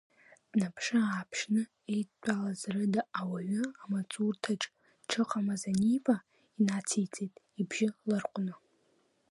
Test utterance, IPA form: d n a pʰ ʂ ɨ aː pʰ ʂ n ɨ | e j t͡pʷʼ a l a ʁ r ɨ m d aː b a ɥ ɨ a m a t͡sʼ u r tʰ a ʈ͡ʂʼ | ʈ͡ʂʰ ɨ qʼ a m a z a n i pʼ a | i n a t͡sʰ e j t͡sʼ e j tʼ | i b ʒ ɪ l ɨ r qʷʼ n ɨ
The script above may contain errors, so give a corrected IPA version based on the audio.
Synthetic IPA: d n a pʰ ʂ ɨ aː pʰ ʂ n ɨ | e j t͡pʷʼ a l a z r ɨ d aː w a ɥ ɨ a m a t͡sʼ u r tʰ a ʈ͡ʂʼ | ʈ͡ʂʰ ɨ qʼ a m a z a n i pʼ a | i n a t͡sʰ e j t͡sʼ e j tʼ | i b ʒ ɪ l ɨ r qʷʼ n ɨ